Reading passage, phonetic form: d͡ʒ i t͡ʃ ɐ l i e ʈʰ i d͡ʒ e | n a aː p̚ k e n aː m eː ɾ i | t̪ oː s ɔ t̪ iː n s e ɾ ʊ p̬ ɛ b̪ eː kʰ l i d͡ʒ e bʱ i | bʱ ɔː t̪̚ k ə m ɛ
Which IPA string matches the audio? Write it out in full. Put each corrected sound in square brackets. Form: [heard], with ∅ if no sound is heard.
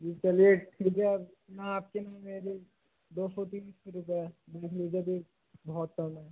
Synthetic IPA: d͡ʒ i t͡ʃ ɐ l i e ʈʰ i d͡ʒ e | n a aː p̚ k e n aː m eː ɾ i | [d̪] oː s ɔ t̪ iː n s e ɾ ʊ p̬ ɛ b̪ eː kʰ l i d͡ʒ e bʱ i | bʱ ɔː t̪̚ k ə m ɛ